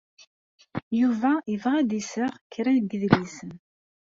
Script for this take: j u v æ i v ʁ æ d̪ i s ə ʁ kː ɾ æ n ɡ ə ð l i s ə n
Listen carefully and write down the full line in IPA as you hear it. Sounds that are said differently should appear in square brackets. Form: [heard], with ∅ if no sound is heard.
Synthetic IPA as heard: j u v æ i v ʁ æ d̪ i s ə ʁ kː ɾ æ n ɡ ə ð l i s ə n